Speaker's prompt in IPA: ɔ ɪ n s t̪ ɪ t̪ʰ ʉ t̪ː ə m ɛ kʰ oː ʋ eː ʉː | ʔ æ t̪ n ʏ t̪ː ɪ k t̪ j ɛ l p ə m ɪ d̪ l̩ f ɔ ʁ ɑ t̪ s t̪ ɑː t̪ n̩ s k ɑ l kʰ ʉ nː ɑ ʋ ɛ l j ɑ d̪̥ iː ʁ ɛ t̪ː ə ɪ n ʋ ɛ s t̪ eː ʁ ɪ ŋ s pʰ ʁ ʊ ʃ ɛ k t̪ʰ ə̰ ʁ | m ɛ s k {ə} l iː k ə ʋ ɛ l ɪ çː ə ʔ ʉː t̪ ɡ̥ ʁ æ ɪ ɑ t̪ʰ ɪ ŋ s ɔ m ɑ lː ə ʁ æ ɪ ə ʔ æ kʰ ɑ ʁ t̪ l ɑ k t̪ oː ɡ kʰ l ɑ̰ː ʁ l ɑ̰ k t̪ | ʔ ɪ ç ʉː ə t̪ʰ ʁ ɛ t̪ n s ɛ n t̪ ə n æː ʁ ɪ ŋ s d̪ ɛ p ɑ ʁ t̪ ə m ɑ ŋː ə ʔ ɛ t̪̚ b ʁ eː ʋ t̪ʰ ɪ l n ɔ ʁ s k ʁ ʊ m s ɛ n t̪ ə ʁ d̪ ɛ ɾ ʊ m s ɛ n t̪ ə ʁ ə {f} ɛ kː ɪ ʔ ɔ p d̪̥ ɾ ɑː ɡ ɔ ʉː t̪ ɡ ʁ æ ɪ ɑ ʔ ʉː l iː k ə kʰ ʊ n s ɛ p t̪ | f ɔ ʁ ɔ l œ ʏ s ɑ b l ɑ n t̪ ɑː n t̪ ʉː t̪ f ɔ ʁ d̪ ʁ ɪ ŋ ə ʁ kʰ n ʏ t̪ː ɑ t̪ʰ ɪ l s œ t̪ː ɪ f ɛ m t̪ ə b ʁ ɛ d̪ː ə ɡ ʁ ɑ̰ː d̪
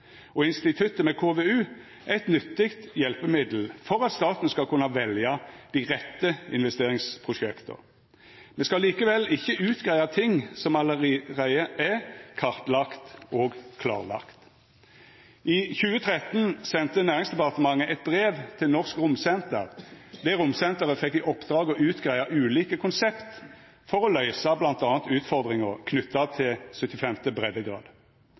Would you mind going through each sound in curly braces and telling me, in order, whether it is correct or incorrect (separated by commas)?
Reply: incorrect, correct